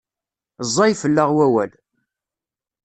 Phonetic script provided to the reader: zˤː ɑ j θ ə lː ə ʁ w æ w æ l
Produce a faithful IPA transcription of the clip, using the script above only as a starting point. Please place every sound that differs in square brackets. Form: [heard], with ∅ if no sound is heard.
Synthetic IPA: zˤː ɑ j [f] ə lː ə ʁ w æ w æ l